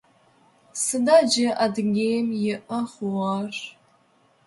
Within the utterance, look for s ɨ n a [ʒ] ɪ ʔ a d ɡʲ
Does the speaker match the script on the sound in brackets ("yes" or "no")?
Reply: no